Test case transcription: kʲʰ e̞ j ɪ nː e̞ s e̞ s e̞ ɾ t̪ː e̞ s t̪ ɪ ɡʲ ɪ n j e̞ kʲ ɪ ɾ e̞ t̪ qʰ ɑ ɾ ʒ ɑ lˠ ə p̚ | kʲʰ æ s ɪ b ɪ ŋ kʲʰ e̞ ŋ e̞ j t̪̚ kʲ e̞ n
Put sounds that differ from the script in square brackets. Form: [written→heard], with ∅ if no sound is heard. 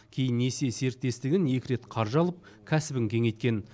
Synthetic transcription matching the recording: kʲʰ e̞ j ɪ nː e̞ s e̞ s e̞ ɾ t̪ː e̞ s t̪ ɪ ɡʲ ɪ n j e̞ kʲ ɪ ɾ e̞ t̪ qʰ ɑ ɾ ʒ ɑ lˠ ə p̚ | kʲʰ æ s ɪ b ɪ ŋ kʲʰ e̞ ŋ e̞ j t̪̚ kʲ e̞ n